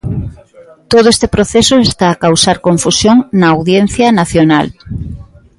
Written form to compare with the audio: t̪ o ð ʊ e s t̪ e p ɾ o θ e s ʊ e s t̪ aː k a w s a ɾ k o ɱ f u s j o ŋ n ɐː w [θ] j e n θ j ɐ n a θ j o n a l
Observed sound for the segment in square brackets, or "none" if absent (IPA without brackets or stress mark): ð